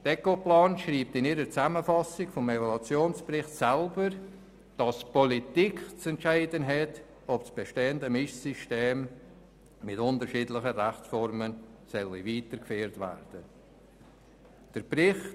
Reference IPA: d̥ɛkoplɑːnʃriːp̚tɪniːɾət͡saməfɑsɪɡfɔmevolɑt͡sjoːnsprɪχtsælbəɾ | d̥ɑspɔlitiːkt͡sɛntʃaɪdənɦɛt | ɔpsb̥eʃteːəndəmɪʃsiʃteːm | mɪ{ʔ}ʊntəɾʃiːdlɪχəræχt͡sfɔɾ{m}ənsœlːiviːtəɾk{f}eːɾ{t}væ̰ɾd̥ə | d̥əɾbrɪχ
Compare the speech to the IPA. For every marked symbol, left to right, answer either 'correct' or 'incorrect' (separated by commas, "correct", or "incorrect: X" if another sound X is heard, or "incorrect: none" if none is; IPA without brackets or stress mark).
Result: incorrect: t, correct, correct, correct